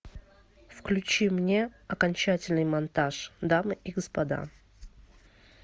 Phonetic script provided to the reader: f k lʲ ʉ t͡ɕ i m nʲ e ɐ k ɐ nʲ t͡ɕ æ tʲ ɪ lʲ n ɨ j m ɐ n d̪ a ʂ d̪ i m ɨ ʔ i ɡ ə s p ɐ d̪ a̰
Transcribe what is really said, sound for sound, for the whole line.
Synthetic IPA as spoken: f k lʲ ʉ t͡ɕ i m nʲ e ɐ k ɐ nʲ t͡ɕ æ tʲ ɪ lʲ n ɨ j m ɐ n t̪ a ʂ d̪ a m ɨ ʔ i ɡ ə s p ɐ d̪ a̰